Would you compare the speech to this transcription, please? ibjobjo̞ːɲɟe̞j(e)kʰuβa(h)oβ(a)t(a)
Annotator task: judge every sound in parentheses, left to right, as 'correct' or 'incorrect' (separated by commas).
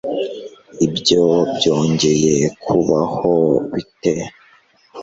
correct, correct, incorrect, incorrect